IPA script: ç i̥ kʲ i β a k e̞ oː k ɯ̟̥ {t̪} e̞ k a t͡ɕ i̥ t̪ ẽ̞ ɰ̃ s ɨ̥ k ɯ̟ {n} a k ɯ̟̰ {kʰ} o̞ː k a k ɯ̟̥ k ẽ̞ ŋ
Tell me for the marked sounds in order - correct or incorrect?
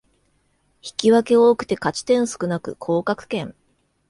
correct, correct, correct

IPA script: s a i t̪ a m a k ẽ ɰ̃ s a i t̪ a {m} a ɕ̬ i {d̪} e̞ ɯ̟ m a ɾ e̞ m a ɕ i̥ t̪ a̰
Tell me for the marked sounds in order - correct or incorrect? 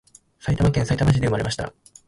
correct, correct

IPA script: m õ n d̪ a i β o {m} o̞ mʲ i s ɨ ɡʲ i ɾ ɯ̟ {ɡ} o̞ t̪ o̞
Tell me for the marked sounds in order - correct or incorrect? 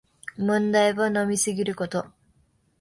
incorrect: n, incorrect: k

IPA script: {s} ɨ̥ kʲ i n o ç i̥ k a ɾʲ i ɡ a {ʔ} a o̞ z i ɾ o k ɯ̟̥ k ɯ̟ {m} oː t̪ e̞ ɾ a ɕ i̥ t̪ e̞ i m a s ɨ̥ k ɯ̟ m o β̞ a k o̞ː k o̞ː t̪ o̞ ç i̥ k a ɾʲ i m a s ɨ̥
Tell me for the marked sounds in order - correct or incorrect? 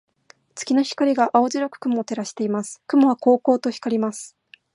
incorrect: t͡s, correct, correct

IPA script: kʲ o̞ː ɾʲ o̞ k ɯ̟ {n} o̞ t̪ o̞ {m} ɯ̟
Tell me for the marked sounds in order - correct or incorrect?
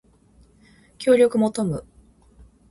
incorrect: m, correct

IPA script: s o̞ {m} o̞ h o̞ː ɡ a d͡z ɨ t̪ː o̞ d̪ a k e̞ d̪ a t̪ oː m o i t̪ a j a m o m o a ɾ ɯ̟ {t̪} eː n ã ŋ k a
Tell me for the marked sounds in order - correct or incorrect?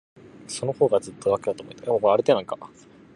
incorrect: n, correct

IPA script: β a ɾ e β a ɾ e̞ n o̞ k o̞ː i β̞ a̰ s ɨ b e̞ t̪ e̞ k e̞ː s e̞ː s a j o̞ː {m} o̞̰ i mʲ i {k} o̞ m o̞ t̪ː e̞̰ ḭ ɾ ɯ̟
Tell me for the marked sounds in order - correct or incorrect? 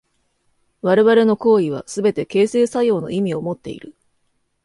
incorrect: n, incorrect: none

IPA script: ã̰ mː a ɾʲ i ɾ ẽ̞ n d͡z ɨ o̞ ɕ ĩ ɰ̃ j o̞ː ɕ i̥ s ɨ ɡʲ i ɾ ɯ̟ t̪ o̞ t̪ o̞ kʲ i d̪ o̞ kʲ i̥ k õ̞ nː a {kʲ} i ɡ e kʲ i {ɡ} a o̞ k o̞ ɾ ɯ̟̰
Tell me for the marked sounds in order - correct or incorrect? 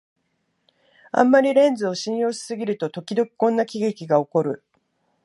correct, correct

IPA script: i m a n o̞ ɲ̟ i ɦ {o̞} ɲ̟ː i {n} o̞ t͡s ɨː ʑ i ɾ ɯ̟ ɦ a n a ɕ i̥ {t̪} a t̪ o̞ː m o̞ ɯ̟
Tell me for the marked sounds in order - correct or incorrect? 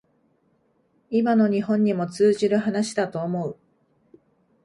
incorrect: õ̞, incorrect: m, incorrect: d̪

